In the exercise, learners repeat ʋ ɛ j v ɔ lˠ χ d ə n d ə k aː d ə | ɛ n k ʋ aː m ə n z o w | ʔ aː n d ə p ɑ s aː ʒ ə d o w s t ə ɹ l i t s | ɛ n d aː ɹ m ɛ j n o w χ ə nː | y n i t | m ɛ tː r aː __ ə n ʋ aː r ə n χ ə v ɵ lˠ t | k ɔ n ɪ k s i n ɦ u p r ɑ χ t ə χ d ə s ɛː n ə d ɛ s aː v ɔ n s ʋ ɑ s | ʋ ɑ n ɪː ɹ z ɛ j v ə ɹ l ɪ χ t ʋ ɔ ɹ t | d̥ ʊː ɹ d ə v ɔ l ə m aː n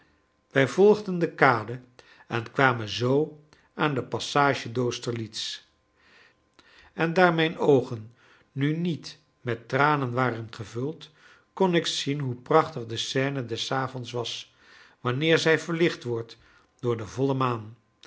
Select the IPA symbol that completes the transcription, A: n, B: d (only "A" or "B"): A